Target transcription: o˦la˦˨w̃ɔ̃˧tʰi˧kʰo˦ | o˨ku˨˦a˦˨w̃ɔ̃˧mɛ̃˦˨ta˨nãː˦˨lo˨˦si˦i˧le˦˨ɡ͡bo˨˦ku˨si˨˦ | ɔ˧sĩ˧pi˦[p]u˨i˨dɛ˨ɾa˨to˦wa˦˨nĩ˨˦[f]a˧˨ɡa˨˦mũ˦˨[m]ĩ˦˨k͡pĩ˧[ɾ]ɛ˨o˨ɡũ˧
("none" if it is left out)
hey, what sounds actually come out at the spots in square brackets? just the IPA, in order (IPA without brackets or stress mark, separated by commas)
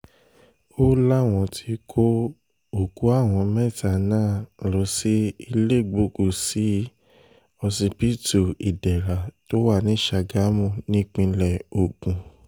t, ʃ, n, l